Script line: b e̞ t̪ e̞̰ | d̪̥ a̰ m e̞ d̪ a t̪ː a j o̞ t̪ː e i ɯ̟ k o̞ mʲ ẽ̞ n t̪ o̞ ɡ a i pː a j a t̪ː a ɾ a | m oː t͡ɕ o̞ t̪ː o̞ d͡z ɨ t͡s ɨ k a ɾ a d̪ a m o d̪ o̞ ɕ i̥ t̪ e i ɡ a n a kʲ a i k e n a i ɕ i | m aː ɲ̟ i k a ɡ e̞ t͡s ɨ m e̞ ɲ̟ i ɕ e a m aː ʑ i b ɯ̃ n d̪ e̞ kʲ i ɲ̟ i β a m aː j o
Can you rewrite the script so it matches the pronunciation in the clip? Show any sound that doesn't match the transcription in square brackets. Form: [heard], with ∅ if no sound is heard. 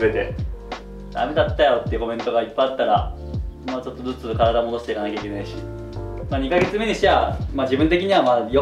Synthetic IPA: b e̞ t̪ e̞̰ | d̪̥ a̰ m e̞ d̪ a t̪ː a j o̞ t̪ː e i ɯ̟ k o̞ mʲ ẽ̞ n t̪ o̞ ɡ a i pː a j a t̪ː a ɾ a | m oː t͡ɕ o̞ t̪ː o̞ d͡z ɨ t͡s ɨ k a ɾ a d̪ a m o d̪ o̞ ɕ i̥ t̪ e i [k] a n a kʲ a i k e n a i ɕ i | m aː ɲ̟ i k a ɡ e̞ t͡s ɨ m e̞ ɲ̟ i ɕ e a m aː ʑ i b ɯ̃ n [t̪] e̞ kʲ i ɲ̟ i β a m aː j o